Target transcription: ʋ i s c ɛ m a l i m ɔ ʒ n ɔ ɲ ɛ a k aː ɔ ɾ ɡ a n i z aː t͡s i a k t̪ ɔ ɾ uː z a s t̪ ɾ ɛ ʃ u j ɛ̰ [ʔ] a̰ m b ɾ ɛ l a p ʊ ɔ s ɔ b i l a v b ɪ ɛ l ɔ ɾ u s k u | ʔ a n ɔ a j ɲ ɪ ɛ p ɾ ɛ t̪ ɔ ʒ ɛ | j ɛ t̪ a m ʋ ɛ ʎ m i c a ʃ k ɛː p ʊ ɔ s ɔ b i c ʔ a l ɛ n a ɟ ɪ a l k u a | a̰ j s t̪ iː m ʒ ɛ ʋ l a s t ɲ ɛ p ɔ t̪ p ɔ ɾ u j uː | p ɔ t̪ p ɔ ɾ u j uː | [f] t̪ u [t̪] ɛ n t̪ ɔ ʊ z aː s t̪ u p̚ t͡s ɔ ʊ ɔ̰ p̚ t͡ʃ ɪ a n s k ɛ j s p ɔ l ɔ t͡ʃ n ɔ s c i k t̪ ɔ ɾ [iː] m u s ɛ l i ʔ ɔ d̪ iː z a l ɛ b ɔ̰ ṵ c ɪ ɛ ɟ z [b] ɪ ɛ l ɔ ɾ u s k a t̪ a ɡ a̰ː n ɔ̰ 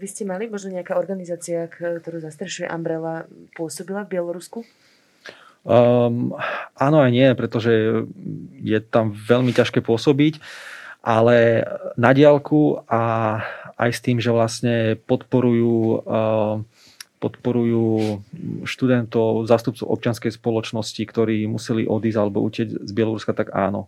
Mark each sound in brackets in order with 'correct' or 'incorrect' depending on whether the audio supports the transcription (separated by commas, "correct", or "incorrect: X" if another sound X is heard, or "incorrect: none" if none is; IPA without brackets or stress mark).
correct, incorrect: ʃ, incorrect: d̪, correct, correct